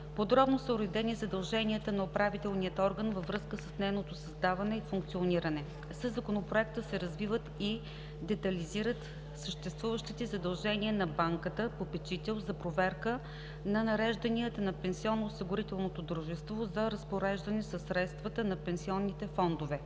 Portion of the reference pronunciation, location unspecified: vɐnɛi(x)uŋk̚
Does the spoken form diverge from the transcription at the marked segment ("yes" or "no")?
yes